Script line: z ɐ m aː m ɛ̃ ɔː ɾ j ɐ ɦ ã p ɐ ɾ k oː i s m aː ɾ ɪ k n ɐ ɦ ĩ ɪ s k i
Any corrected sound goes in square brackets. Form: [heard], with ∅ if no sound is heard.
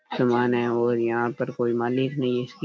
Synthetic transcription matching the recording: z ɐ m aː [n] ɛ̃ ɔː ɾ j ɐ ɦ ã p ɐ ɾ k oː i [∅] m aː [l] ɪ k n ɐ ɦ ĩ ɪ s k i